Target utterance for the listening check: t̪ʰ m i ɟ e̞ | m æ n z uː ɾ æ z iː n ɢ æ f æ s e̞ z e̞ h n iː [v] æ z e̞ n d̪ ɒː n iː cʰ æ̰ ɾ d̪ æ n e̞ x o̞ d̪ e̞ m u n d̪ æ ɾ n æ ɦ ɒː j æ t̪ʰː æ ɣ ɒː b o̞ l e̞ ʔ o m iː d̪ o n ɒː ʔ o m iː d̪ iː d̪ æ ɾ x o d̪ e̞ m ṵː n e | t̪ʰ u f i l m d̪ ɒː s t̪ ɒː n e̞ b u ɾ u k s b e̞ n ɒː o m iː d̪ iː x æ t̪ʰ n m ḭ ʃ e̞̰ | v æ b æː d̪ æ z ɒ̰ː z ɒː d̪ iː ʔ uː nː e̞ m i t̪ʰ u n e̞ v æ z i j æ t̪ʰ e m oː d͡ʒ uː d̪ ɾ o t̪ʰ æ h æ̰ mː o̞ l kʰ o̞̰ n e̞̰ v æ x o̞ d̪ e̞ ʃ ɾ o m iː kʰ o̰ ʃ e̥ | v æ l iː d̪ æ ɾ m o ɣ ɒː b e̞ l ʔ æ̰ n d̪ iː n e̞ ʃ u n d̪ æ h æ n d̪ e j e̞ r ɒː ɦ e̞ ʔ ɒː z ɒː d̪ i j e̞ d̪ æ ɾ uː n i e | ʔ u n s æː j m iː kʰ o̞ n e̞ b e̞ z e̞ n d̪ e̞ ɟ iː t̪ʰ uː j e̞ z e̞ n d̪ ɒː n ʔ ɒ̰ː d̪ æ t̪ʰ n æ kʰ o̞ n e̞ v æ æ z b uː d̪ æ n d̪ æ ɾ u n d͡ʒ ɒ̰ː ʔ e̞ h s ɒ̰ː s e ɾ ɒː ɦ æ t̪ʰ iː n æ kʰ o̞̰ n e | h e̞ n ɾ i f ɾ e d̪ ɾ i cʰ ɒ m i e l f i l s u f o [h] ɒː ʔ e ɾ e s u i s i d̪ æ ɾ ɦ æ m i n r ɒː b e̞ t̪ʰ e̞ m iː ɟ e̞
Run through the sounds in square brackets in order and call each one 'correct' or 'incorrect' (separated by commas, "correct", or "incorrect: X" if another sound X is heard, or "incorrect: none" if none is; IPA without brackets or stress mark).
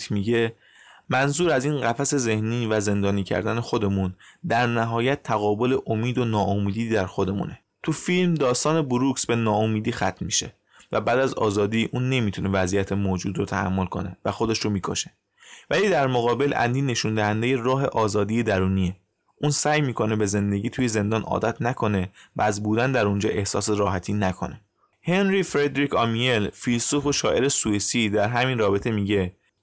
correct, incorrect: ʃ